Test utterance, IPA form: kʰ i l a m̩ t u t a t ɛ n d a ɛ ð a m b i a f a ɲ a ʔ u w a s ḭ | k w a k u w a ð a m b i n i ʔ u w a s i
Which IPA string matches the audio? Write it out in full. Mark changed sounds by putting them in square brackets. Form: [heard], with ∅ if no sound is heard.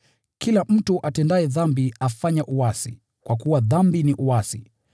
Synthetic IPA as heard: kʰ i l a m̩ t u [ʔ] a t ɛ n d a ɛ ð a m b i a f a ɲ a ʔ u w a s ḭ | k w a k u w a ð a m b i n i ʔ u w a s i